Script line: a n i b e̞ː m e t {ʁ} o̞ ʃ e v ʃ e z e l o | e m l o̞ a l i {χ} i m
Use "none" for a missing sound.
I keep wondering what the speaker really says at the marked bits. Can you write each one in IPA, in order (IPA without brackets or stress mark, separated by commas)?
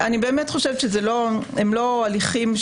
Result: χ, χ